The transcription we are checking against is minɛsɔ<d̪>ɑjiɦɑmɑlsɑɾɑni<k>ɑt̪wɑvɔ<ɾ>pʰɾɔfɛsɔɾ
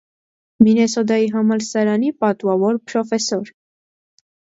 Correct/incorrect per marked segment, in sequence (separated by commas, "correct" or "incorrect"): correct, incorrect, correct